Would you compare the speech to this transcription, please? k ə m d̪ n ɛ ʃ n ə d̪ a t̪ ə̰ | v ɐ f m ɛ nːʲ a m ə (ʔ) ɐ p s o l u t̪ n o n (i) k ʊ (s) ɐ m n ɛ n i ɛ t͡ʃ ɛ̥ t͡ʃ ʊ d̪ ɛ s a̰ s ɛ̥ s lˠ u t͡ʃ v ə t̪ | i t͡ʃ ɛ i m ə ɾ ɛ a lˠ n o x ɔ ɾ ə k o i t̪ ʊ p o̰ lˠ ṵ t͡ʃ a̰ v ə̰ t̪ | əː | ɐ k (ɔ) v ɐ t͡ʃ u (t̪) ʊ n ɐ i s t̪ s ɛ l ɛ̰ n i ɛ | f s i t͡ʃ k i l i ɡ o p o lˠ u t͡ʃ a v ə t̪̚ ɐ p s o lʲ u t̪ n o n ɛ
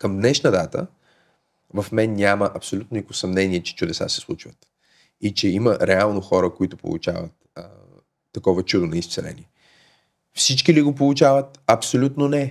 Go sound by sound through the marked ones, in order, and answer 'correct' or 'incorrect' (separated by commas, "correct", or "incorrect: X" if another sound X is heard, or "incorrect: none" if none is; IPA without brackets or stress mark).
correct, correct, correct, correct, incorrect: d̪